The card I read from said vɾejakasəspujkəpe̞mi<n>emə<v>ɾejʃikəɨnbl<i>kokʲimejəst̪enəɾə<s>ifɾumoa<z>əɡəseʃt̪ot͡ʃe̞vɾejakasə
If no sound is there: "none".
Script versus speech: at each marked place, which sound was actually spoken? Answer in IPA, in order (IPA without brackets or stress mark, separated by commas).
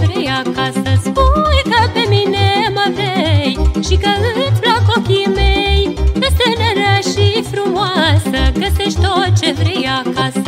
n, v, a, ʃ, s